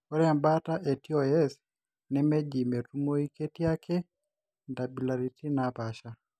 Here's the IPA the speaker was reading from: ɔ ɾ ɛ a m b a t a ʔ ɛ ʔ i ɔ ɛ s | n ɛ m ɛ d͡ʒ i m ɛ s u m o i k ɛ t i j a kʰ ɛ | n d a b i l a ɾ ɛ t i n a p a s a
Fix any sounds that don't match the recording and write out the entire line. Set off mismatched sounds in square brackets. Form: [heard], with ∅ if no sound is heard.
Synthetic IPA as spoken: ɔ ɾ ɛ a m b a t a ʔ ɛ [t] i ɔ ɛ s | n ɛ m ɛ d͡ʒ i m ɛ [t] u m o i k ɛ t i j a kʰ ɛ | n d a b i l a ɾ [i] t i n a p a [ʃ] a